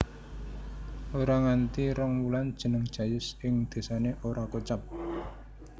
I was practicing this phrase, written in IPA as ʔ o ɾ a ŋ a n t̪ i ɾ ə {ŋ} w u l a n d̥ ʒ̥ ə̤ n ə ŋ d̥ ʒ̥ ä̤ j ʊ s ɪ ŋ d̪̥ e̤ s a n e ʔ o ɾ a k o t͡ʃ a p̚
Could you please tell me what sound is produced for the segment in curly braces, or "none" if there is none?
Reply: ŋ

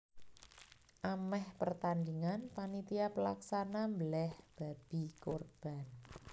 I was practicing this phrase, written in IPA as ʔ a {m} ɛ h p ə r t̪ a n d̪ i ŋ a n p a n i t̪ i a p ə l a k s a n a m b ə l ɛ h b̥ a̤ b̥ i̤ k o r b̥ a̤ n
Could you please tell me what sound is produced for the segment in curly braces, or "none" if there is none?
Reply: m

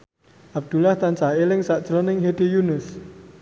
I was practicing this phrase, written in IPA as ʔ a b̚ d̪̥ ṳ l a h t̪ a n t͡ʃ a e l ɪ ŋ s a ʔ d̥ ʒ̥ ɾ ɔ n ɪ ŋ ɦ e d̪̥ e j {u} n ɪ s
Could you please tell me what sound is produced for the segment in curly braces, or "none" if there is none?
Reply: u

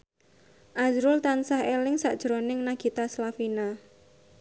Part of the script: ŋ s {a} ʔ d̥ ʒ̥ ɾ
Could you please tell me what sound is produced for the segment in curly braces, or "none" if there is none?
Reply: a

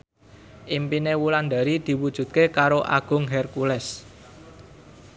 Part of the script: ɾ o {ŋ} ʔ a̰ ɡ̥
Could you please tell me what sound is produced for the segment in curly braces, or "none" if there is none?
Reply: none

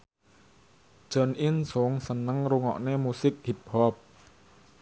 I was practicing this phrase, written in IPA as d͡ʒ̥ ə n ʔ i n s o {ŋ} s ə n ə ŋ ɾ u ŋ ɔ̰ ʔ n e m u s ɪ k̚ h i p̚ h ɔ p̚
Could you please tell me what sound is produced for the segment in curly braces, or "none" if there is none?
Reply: ŋ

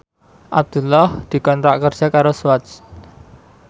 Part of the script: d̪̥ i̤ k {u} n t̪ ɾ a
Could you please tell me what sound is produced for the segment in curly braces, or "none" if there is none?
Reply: ɔ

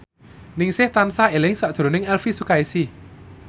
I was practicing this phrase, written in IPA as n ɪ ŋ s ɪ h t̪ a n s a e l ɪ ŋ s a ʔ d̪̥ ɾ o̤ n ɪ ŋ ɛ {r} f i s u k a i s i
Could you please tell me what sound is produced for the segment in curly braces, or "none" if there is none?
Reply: l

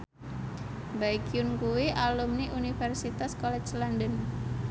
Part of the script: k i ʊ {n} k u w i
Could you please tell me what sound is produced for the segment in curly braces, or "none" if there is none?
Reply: n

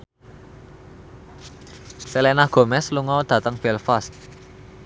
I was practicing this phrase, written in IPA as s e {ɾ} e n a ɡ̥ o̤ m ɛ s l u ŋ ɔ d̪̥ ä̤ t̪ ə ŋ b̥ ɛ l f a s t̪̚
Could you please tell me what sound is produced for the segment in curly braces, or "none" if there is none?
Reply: l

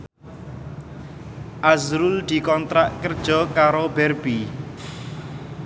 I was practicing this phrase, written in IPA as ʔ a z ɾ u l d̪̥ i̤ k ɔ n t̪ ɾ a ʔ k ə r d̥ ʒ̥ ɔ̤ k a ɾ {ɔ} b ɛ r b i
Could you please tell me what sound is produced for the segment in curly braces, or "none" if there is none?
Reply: o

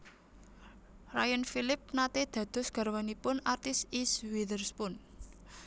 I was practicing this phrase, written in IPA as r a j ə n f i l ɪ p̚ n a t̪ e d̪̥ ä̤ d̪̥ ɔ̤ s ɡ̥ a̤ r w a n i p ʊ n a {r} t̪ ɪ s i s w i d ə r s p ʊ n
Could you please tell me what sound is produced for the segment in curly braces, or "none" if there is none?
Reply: r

